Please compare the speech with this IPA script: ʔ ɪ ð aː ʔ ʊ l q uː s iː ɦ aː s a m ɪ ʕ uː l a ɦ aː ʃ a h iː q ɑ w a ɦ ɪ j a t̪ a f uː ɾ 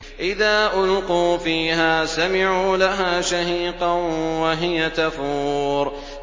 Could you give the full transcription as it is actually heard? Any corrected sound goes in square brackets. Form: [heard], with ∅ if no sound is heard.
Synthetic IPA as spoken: ʔ ɪ ð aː ʔ ʊ l q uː [f] iː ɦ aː s a m ɪ ʕ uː l a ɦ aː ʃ a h iː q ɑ w a ɦ ɪ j a t̪ a f uː ɾ